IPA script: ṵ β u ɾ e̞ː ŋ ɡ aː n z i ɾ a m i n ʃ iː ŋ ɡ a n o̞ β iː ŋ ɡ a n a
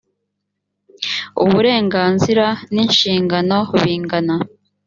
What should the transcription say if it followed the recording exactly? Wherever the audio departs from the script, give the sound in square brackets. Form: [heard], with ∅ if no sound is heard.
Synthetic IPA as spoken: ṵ β u ɾ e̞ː ŋ ɡ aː n z i ɾ a [n] i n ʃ iː ŋ ɡ a n o̞ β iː ŋ ɡ a n a